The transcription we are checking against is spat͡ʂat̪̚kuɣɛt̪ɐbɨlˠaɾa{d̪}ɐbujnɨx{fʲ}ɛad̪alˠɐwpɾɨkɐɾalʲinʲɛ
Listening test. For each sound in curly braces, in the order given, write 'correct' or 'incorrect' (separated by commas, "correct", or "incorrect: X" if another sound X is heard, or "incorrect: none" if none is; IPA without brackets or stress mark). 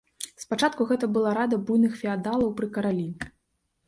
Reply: correct, correct